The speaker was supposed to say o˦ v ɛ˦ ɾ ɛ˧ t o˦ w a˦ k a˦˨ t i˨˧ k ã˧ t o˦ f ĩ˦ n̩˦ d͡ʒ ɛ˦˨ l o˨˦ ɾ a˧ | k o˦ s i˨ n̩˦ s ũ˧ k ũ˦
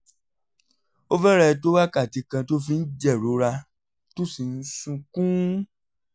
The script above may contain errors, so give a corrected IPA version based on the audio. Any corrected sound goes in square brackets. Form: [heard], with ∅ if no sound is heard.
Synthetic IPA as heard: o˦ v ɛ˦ ɾ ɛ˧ t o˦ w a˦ k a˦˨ t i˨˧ k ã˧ t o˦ f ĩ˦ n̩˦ d͡ʒ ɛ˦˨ [ɾ] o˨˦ ɾ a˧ | [t] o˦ s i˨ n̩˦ s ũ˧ k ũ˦